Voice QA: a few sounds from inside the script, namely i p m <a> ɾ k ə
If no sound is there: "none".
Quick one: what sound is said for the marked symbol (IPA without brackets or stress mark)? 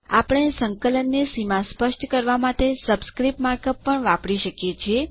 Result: a